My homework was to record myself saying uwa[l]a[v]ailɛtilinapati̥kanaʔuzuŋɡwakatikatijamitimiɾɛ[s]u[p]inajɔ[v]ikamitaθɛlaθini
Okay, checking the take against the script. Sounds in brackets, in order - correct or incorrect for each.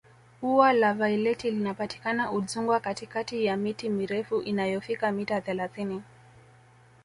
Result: correct, correct, incorrect: f, incorrect: ʔ, incorrect: f

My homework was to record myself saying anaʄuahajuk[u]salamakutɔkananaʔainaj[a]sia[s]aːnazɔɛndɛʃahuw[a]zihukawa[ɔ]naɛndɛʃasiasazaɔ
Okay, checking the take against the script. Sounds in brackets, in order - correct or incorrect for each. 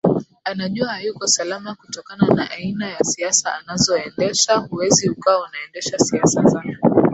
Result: incorrect: ɔ, correct, correct, incorrect: ɛ, incorrect: u

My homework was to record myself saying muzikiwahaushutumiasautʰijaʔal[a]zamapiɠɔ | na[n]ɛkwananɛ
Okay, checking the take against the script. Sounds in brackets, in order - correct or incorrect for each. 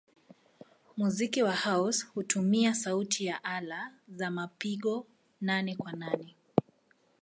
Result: correct, correct

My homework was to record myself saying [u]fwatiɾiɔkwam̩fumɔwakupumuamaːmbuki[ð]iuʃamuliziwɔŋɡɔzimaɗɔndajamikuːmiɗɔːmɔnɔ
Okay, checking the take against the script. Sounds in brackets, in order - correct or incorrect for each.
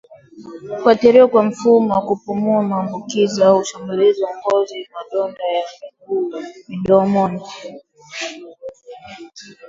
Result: correct, incorrect: z

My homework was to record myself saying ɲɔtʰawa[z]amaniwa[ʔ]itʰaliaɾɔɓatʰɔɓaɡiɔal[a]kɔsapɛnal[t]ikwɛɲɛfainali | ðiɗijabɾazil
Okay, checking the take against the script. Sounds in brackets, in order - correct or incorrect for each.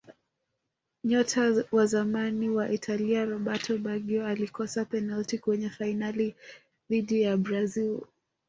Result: correct, correct, incorrect: i, correct

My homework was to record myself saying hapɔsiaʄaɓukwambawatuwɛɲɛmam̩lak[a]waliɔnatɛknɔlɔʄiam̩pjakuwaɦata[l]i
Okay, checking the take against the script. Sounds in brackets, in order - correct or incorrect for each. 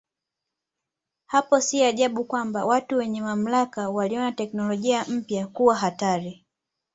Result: correct, incorrect: ɾ

